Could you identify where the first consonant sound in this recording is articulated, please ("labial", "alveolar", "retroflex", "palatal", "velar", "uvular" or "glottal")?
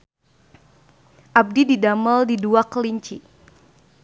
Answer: glottal